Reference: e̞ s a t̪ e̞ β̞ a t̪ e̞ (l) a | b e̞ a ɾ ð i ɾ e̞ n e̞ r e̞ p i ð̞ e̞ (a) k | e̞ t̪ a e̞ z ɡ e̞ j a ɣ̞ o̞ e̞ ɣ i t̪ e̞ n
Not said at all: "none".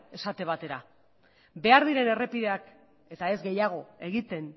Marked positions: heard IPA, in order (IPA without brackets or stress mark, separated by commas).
ɾ, a